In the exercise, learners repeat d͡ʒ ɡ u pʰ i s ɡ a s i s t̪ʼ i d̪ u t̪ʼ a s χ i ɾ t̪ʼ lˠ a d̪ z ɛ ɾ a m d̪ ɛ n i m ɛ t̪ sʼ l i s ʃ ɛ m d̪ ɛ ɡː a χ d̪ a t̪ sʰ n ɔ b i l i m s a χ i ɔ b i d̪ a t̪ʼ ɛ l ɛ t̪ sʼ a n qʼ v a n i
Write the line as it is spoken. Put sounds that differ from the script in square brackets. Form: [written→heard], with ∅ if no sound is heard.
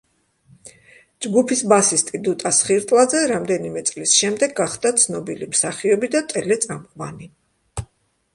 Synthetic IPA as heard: d͡ʒ ɡ u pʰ i s [ɡ→b] a s i s t̪ʼ i d̪ u t̪ʼ a s χ i ɾ t̪ʼ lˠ a d̪ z ɛ ɾ a m d̪ ɛ n i m ɛ t̪ sʼ l i s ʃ ɛ m d̪ ɛ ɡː a χ d̪ a t̪ sʰ n ɔ b i l i m s a χ i ɔ b i d̪ a t̪ʼ ɛ l ɛ t̪ sʼ a [n→m] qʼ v a n i